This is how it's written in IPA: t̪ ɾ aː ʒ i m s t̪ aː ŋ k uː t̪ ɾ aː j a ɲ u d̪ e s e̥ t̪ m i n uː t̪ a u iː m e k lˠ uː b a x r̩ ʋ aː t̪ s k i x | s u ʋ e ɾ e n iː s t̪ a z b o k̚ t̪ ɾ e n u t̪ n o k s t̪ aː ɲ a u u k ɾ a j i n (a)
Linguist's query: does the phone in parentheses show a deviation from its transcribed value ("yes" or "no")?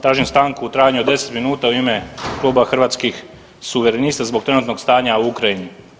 yes